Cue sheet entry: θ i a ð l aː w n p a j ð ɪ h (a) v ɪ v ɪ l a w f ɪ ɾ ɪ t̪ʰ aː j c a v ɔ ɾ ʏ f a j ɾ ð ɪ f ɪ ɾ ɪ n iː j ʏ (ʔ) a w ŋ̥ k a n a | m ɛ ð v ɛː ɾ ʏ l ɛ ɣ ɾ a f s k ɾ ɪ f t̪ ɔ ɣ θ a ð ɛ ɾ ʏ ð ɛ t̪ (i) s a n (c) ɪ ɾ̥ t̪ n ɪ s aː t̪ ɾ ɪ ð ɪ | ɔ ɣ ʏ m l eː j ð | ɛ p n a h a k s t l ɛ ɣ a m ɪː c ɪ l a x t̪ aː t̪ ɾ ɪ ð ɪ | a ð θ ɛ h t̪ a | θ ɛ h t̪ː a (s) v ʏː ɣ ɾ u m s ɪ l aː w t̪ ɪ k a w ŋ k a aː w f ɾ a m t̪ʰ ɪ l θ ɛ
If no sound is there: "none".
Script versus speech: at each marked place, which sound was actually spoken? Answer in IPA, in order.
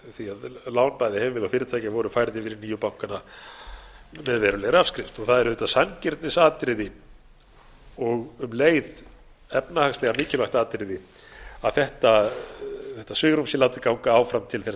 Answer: ɛ, p, a, c, s

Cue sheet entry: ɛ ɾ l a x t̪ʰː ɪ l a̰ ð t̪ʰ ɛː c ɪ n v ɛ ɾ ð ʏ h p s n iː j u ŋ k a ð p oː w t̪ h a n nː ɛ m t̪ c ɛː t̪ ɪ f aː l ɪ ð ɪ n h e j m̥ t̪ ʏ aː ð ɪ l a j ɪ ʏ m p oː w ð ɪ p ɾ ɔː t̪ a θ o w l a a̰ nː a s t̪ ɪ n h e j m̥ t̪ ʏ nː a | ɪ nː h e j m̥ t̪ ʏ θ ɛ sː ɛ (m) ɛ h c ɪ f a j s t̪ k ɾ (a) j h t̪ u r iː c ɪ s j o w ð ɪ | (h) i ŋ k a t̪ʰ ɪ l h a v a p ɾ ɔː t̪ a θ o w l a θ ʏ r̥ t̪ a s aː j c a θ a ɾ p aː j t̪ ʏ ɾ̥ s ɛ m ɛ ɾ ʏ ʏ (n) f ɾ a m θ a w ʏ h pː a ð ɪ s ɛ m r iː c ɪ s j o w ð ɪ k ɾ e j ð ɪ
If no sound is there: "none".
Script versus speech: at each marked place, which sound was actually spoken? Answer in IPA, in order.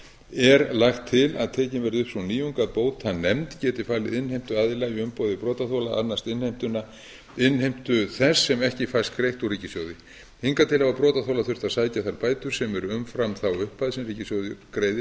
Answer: m, e, h, m

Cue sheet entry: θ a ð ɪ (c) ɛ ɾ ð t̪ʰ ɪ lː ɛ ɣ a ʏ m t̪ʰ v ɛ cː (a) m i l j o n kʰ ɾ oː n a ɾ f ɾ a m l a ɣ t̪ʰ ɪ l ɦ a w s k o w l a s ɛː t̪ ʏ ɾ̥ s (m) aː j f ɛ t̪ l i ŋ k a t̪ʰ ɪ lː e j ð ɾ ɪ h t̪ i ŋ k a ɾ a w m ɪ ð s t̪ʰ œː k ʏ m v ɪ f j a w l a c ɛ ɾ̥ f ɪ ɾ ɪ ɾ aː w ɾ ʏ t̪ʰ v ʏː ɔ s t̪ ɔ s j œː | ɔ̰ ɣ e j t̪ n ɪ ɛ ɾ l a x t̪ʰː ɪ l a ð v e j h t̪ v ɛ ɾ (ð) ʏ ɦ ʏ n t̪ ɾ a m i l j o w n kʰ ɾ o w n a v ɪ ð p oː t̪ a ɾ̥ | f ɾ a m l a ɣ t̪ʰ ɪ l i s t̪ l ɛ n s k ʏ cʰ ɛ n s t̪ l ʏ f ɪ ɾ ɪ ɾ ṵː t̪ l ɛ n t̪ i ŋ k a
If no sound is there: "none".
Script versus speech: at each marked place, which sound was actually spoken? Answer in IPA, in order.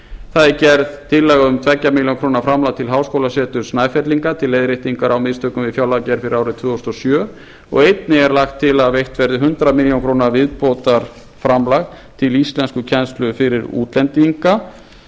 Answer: c, a, n, ð

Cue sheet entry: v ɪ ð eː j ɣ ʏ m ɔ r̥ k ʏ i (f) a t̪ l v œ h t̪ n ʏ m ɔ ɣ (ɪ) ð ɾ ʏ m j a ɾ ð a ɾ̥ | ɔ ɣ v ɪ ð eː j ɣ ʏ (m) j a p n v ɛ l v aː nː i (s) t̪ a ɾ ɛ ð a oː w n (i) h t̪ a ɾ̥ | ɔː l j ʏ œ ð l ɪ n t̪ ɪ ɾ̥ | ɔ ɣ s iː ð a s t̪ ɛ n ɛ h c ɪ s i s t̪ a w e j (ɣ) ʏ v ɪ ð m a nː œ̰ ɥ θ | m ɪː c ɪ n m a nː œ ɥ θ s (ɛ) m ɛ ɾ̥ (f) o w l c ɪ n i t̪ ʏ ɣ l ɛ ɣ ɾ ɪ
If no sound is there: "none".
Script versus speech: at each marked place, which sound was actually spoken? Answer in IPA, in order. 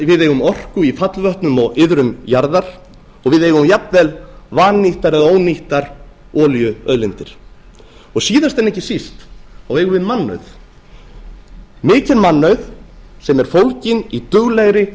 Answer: f, ɪ, m, h, i, ɣ, ɛ, f

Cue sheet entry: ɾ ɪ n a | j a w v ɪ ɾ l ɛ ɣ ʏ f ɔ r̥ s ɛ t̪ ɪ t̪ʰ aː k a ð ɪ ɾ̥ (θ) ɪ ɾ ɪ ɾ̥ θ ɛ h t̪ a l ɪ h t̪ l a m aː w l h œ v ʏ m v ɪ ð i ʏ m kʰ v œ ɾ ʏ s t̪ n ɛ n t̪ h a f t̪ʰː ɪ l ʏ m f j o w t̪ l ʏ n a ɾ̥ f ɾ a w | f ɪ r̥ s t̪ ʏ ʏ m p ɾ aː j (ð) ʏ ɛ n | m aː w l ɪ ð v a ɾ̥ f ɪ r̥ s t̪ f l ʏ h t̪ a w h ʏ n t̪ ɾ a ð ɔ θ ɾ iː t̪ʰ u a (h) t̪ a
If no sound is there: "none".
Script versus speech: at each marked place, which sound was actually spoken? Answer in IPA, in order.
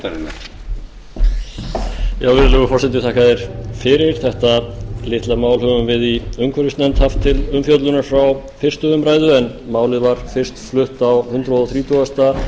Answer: f, ð, s

